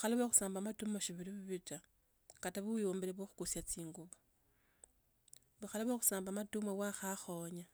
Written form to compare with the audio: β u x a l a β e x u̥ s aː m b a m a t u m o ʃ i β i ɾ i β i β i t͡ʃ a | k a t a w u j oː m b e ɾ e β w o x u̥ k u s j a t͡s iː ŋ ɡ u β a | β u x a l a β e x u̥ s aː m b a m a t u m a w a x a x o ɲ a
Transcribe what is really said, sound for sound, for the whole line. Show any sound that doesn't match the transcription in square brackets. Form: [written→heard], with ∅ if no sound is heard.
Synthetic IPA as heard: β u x a l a β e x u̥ s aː m b a m a t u m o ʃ i β i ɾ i β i β i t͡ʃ a | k a t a [w→β] u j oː m b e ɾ e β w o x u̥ k u s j a t͡s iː ŋ ɡ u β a | β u x a l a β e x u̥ s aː m b a m a t u m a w a x a x o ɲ a